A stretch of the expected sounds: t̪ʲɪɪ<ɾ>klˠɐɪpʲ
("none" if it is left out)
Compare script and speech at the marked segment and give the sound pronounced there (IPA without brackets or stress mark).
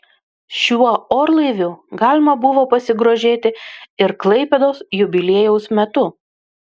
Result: ɾ